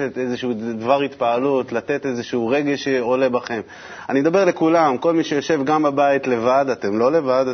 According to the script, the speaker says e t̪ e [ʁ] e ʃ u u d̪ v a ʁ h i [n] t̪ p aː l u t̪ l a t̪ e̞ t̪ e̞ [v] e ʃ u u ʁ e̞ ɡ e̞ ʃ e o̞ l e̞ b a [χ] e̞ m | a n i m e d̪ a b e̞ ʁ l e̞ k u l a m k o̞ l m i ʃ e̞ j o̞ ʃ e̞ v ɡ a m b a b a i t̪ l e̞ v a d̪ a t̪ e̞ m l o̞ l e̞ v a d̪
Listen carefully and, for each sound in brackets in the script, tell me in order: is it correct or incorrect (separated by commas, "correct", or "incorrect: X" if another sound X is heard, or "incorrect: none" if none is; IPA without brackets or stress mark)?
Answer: incorrect: z, incorrect: none, incorrect: z, correct